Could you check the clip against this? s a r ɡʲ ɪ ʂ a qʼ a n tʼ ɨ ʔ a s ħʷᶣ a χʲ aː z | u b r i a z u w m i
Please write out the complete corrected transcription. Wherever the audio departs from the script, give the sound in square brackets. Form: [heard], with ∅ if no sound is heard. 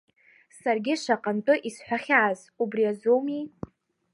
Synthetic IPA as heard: s a r ɡʲ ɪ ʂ a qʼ a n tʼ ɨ ʔ [i] s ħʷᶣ a χʲ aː z | u b r i a z [o] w m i